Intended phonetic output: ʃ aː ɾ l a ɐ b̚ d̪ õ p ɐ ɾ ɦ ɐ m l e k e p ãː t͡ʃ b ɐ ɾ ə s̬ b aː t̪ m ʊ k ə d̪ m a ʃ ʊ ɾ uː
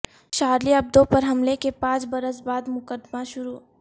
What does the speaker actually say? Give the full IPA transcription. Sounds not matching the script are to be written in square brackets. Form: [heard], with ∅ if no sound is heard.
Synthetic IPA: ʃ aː ɾ l [i] ɐ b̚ d̪ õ p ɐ ɾ ɦ ɐ m l e k e p ãː t͡ʃ b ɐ ɾ ə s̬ b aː [d̪] m ʊ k ə d̪ m a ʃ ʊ ɾ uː